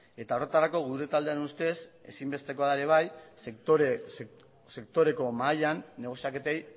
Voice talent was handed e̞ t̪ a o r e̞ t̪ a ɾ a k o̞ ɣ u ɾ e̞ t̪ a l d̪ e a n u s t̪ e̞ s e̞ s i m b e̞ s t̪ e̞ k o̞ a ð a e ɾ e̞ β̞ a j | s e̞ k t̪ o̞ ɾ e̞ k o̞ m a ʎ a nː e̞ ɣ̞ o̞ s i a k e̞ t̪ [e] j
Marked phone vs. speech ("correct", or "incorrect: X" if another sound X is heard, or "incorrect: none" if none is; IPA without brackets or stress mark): correct